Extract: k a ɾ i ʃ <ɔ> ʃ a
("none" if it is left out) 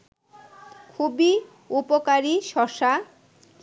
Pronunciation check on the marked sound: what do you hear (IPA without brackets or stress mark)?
ɔ